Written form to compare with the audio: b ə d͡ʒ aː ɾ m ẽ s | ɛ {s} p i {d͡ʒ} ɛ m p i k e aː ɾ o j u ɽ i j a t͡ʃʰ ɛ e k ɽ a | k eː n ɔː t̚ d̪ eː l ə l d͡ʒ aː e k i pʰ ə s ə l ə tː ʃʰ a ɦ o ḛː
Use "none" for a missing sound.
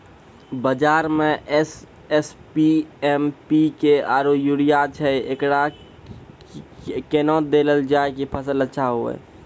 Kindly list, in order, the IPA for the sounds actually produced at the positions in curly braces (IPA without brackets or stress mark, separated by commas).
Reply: s, none